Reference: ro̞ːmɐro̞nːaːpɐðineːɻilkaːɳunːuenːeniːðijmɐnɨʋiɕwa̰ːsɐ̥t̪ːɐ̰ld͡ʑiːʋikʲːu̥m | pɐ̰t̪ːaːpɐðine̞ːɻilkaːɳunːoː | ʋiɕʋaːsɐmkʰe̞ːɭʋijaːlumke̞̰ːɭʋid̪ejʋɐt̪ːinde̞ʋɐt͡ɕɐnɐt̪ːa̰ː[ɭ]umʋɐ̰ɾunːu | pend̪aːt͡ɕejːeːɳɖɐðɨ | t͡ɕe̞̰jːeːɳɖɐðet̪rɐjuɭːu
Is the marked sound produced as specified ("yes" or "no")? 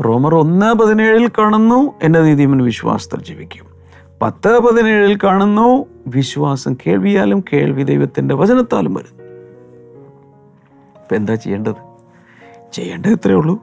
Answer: no